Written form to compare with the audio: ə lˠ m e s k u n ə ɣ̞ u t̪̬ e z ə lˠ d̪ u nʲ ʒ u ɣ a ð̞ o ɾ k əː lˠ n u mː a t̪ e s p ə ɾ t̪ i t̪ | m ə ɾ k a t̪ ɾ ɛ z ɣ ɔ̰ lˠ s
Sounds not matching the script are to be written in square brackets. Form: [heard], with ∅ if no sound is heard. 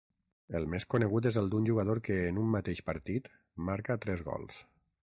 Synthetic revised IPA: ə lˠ m e s k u n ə ɣ̞ u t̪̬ e z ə lˠ d̪ u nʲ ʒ u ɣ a ð̞ o ɾ k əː [∅] n u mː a t̪ e [ʃ] p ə ɾ t̪ i t̪ | m [a] ɾ k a t̪ ɾ ɛ z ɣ ɔ̰ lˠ s